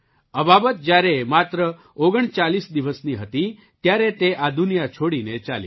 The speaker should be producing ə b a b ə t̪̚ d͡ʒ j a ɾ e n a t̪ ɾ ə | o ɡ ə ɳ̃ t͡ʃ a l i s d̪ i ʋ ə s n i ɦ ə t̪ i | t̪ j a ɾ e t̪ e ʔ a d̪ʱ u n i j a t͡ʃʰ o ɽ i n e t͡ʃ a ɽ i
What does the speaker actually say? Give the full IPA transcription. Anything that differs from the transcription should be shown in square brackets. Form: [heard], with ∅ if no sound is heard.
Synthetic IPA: ə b a b ə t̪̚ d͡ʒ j a ɾ e [m] a t̪ ɾ ə | o ɡ ə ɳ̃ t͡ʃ a l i s d̪ i ʋ ə s n i ɦ ə t̪ i | t̪ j a ɾ e t̪ e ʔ a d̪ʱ u n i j a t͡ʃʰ o ɽ i n e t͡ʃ a [l] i